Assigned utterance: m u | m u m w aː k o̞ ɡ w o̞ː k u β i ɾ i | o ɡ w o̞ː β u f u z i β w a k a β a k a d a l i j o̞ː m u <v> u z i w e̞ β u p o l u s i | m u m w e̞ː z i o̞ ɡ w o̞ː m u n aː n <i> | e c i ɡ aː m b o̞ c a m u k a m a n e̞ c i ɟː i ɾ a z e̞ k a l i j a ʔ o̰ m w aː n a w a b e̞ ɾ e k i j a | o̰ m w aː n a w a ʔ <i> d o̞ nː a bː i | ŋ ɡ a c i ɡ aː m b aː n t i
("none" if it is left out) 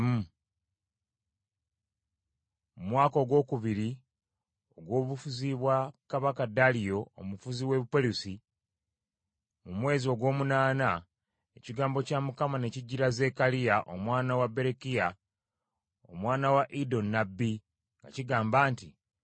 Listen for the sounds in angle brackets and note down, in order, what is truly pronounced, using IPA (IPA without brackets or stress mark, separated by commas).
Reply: f, a, i